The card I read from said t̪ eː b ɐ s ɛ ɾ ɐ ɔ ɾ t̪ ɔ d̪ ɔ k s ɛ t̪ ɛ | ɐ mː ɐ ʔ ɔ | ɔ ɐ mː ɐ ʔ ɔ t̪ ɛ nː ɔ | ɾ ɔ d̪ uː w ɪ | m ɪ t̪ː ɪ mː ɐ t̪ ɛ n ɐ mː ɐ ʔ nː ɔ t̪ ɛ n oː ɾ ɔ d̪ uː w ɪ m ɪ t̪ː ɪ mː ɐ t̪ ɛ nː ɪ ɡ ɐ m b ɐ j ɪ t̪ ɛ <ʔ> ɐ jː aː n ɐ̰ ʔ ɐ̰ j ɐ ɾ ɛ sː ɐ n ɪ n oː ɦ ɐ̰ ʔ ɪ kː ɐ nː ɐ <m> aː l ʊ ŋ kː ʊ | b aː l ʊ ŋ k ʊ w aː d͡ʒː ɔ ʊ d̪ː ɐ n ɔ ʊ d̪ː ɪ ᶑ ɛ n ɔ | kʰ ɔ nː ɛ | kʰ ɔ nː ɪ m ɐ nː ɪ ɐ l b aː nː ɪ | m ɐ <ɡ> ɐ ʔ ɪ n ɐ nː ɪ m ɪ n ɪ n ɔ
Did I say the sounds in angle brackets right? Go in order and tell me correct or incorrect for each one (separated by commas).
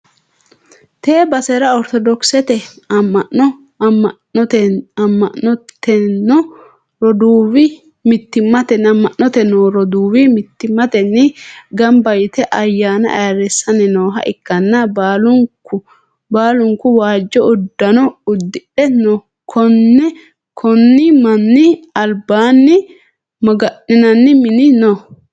correct, incorrect, correct